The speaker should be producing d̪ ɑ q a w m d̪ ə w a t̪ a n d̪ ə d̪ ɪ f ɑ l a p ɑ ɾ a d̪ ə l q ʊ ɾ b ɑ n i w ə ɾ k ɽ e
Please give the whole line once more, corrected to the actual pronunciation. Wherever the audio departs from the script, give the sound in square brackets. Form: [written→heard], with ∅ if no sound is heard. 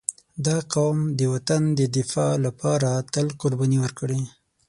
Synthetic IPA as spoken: d̪ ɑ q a w m d̪ ə w a t̪ a n d̪ ə d̪ ɪ f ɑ l a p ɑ ɾ a [d̪→t̪] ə l q ʊ ɾ b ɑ n i w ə ɾ k ɽ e